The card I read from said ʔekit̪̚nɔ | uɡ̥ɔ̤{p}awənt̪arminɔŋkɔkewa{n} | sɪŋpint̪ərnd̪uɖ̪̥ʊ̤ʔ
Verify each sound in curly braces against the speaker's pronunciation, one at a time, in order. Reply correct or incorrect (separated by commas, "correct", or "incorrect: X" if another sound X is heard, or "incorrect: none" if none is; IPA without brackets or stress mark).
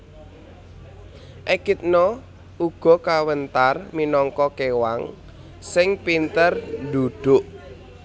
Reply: incorrect: k, incorrect: ŋ